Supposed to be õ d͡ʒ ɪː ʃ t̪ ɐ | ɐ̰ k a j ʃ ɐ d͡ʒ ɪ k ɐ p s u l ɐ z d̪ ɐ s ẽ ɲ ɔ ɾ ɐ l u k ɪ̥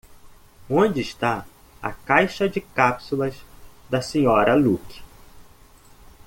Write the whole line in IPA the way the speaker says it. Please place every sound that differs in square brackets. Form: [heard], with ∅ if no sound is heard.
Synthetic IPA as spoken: õ d͡ʒ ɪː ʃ t̪ [a] | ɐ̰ k a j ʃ ɐ d͡ʒ ɪ k [a] p s u l ɐ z d̪ ɐ s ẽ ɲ ɔ ɾ ɐ l u k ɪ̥